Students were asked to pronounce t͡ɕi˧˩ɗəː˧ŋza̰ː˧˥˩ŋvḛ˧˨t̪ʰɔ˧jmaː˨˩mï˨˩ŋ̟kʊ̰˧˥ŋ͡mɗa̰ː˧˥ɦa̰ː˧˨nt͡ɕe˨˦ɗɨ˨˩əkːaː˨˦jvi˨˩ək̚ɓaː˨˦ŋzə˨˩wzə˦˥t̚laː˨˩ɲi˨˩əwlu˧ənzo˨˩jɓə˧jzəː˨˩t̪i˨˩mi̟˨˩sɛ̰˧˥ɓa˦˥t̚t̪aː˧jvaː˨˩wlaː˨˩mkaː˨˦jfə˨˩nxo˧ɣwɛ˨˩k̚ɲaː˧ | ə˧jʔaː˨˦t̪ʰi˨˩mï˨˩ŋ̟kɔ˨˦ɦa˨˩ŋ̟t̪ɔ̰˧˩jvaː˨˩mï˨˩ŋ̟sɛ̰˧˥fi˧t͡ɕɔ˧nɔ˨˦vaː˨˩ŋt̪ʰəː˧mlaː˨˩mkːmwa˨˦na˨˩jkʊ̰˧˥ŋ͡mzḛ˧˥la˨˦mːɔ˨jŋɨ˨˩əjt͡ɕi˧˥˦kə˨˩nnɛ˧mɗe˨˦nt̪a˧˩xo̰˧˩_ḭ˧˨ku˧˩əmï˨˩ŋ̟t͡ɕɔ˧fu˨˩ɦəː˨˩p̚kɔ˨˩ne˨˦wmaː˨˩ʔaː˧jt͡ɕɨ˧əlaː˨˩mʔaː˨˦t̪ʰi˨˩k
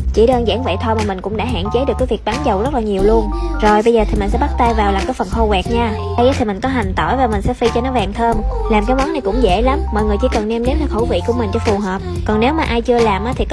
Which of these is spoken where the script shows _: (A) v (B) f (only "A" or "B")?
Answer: A